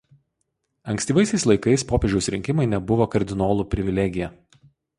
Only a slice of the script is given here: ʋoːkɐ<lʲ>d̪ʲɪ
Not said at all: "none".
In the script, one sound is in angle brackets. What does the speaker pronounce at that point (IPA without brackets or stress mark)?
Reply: ɾʲ